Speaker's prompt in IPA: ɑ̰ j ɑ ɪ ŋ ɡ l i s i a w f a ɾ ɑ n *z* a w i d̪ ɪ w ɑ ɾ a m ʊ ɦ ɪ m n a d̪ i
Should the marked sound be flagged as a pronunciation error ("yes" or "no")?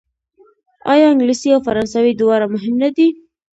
yes